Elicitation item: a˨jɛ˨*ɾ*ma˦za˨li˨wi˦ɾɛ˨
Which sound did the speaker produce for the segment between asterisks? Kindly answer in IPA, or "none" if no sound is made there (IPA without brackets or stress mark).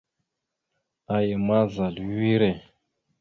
none